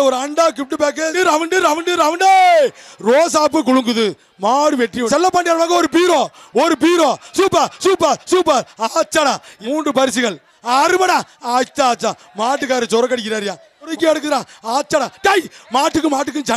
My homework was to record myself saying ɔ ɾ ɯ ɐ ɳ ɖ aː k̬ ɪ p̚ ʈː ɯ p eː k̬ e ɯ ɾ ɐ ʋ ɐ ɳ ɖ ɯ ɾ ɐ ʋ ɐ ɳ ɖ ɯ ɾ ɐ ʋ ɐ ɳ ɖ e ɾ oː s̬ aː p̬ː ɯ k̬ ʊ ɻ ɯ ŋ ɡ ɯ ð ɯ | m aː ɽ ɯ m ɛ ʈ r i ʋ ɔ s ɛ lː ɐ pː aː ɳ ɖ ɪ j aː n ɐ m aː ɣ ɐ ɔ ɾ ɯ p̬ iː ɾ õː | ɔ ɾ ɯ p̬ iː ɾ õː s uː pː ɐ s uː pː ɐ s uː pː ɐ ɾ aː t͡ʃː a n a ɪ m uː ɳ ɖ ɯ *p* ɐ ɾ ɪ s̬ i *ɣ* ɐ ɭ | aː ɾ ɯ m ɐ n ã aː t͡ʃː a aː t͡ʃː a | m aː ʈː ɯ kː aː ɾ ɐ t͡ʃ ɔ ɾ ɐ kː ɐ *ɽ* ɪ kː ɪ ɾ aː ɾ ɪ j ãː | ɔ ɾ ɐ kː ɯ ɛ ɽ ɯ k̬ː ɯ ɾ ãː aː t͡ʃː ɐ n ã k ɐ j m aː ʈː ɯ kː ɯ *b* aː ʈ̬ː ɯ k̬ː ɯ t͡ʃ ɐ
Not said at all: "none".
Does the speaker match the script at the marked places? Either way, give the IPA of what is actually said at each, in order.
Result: p, ɣ, ɽ, m

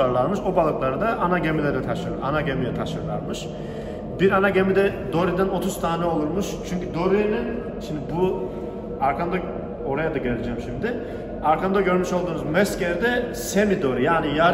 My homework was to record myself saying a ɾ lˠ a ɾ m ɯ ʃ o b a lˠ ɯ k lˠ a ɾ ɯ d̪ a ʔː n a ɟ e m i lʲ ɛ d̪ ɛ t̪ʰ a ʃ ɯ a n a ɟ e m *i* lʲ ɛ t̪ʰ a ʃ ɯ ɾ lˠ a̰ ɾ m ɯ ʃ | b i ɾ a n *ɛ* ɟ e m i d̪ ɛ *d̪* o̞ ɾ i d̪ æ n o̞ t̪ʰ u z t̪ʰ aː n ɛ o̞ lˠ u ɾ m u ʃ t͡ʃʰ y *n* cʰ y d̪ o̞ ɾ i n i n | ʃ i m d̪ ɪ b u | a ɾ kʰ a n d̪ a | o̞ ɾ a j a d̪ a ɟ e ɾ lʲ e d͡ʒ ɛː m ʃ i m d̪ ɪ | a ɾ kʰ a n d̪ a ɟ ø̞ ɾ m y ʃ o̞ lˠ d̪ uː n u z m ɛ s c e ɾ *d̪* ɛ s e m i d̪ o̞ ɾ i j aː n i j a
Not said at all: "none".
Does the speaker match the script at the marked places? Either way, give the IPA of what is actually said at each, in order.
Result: i, a, d̪, ɲ, d̪

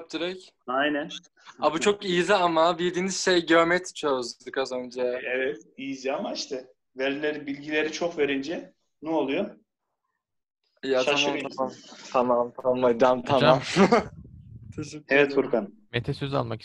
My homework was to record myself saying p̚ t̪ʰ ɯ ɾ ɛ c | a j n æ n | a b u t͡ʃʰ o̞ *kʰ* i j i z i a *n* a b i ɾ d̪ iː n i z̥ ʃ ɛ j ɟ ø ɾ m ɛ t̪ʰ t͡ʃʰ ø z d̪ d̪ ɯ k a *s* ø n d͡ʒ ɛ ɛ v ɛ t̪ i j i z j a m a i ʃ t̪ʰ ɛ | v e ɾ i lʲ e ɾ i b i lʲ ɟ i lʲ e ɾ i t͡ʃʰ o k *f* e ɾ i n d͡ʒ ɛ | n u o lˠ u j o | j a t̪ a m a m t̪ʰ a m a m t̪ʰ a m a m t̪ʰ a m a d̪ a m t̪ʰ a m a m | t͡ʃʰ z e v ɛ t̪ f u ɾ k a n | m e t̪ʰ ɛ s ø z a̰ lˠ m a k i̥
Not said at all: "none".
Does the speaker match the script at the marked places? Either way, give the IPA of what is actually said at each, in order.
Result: k, m, z, v

